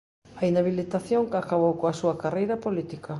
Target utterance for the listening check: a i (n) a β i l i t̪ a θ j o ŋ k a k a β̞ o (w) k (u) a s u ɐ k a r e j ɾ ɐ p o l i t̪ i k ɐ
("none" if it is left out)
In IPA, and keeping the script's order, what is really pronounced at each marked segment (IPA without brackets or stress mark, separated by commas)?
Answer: n, w, o